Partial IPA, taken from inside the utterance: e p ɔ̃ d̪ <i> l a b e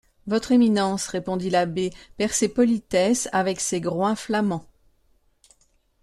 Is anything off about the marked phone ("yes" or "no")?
no